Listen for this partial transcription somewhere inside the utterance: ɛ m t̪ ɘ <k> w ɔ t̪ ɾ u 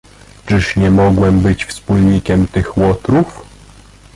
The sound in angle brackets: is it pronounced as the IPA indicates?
no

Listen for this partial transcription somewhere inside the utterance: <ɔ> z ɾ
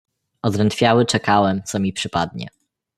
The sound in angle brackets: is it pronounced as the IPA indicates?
yes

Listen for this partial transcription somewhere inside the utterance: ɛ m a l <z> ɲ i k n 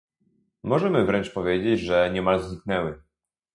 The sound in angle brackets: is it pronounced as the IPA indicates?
yes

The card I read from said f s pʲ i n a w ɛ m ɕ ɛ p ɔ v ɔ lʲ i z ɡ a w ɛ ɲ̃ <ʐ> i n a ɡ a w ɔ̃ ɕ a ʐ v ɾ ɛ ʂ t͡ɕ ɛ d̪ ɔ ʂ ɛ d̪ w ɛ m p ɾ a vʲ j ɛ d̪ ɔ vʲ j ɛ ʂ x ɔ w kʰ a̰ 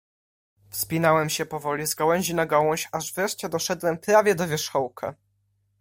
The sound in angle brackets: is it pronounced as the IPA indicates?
no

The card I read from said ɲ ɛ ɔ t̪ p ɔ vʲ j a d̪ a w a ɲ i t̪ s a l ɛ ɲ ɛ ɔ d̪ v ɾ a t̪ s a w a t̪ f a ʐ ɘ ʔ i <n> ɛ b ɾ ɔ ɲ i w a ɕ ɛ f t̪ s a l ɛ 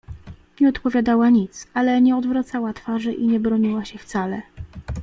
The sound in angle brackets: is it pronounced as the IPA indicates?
no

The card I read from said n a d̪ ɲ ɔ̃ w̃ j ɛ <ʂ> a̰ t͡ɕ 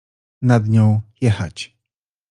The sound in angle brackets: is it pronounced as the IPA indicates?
no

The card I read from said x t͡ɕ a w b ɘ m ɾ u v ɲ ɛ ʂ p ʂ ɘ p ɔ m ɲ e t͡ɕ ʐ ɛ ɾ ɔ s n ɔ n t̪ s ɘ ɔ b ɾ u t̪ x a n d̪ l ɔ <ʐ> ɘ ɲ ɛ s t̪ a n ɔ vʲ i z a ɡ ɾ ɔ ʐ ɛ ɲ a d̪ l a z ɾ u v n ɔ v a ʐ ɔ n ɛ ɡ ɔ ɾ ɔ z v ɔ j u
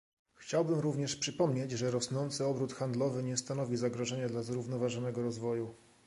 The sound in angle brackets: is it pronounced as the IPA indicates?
no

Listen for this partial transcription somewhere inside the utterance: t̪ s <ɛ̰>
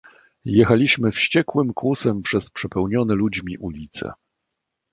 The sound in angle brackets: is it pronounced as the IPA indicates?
yes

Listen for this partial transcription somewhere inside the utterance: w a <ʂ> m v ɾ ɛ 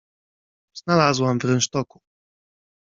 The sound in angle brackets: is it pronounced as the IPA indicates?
no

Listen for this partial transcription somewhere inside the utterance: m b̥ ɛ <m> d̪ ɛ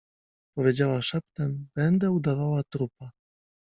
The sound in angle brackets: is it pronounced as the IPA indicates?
no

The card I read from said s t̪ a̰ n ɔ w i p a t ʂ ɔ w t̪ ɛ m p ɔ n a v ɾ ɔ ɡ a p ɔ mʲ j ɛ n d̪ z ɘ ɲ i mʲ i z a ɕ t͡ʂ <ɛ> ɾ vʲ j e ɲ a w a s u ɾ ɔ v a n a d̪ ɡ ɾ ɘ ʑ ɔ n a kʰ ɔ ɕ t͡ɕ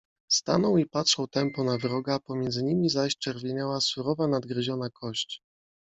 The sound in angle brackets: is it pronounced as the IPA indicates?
yes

